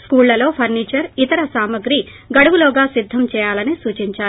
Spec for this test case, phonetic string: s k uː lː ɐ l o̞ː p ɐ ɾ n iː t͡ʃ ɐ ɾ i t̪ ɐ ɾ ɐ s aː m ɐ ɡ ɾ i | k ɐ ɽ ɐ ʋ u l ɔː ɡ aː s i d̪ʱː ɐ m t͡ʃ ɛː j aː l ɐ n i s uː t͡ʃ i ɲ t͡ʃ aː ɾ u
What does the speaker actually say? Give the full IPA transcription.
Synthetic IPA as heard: s k uː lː ɐ l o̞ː pʰ ɐ ɾ n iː t͡ʃ ɐ ɾ i t̪ ɐ ɾ ɐ s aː m ɐ ɡ ɾ i | ɡ ɐ ɽ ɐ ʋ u l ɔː ɡ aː s i d̪ʱː ɐ m t͡ʃ ɛː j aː l ɐ n i s uː t͡ʃ i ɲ t͡ʃ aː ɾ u